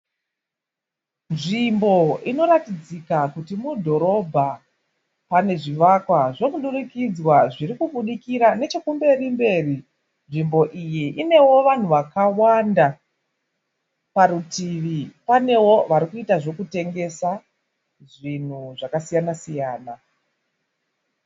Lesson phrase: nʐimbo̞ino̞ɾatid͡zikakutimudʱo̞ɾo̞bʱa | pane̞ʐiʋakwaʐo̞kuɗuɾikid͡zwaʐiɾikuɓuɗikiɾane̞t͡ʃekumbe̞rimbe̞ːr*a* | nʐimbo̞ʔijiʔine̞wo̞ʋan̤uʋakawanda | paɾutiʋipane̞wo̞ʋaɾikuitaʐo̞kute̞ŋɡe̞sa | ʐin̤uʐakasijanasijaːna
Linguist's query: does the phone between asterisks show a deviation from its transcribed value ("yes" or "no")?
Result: yes